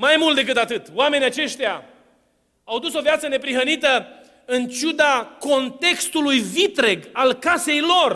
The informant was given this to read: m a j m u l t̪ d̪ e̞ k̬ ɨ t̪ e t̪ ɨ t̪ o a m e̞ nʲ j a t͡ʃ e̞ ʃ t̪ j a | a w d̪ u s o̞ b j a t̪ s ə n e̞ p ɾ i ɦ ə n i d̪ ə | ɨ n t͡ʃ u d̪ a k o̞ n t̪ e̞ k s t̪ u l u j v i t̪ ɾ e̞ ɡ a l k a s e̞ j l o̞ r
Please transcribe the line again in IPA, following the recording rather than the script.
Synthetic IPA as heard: m a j m u l t̪ d̪ e̞ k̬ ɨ t̪ a t̪ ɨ t̪ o a m e̞ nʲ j a t͡ʃ e̞ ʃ t̪ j a | a w d̪ u s o̞ v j a t̪ s ə n e̞ p ɾ i ɦ ə n i t̪ ə | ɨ n t͡ʃ u d̪ a k o̞ n t̪ e̞ k s t̪ u l u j v i t̪ ɾ e̞ ɡ a l k a s e̞ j l o̞ r